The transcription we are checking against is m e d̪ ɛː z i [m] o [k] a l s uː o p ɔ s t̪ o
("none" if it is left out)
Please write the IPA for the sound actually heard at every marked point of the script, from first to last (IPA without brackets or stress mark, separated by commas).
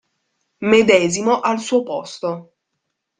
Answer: m, ʔ